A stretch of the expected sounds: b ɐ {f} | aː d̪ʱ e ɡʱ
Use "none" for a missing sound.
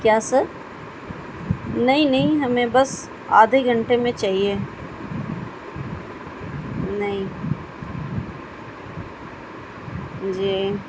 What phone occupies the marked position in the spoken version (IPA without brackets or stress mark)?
s